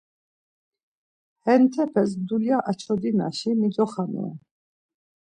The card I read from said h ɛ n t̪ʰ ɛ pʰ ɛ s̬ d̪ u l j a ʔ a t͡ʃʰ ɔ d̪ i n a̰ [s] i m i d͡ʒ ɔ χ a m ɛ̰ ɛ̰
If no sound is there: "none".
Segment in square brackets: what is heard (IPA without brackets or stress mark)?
ʃ